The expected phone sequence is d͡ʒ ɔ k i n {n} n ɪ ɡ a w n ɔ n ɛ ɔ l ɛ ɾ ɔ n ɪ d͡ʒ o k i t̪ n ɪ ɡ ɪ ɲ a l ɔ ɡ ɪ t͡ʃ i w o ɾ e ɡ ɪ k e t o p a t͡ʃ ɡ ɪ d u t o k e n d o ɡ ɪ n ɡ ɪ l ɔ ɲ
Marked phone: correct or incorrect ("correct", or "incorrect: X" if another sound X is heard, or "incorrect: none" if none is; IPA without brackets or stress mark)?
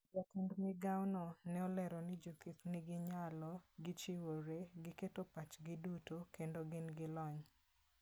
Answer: incorrect: d